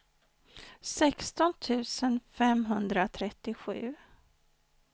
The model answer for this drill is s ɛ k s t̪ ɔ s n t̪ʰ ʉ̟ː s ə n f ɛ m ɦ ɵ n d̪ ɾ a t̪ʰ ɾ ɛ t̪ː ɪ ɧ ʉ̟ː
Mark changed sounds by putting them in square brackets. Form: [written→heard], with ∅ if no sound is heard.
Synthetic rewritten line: s ɛ k s t̪ ɔ [s→∅] n t̪ʰ ʉ̟ː s ə n f ɛ m ɦ ɵ n d̪ ɾ a t̪ʰ ɾ ɛ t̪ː ɪ ɧ ʉ̟ː